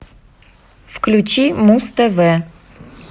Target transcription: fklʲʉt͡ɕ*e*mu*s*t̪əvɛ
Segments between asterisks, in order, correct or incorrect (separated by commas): incorrect, correct